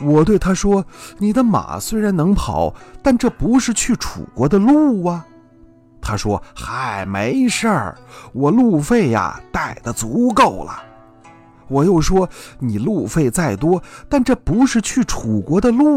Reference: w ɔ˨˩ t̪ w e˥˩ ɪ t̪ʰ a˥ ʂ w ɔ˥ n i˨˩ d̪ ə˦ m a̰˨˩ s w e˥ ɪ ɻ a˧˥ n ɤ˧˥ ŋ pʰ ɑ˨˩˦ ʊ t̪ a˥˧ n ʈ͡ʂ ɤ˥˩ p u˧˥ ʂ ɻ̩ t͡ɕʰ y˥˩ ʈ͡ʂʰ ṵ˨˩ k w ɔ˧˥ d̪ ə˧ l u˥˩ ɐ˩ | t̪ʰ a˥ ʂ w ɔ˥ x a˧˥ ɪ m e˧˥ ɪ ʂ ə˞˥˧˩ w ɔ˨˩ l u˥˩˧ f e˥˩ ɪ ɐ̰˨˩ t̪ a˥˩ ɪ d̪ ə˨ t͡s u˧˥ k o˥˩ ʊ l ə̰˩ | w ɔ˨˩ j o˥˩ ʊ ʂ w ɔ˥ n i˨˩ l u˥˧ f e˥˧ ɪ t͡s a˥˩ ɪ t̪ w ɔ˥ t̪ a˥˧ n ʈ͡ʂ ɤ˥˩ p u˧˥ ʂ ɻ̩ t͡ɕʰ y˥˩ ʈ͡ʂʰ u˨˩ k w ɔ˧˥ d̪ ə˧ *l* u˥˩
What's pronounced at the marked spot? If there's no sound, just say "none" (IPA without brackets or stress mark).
l